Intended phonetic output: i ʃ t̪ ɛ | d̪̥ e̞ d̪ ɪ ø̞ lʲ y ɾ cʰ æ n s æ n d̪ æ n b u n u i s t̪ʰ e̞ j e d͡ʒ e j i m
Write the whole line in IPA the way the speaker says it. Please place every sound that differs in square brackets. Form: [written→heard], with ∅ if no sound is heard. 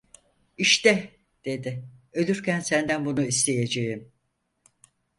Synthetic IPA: i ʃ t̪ ɛ | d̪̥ e̞ d̪ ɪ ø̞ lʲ y ɾ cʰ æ n s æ n d̪ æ n b u n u i s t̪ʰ e̞ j e d͡ʒ e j i m